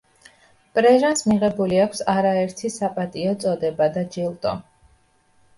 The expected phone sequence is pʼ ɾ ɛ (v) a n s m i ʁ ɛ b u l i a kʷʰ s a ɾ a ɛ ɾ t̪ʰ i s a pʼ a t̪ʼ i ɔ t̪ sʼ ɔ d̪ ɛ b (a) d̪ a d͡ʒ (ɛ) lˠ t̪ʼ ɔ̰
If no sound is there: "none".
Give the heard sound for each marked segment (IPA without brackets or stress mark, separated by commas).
ʒ, a, i